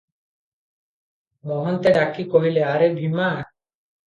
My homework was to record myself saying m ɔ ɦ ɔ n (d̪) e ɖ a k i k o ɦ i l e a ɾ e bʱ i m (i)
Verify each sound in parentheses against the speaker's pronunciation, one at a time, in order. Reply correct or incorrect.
incorrect, incorrect

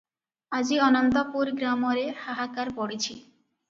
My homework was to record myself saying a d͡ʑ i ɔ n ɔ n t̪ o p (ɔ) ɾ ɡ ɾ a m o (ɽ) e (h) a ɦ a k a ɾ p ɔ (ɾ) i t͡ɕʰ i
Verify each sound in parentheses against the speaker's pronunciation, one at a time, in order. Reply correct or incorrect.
incorrect, incorrect, correct, incorrect

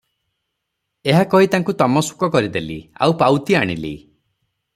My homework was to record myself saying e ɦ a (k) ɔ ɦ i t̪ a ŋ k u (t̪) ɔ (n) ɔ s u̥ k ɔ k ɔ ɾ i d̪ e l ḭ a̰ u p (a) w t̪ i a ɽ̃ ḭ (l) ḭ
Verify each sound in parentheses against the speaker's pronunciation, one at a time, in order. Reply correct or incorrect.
correct, correct, incorrect, correct, correct

